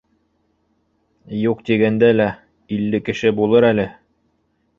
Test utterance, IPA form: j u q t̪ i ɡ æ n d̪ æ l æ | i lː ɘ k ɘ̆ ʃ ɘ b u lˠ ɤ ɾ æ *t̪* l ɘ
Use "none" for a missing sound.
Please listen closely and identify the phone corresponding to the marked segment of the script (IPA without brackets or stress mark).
none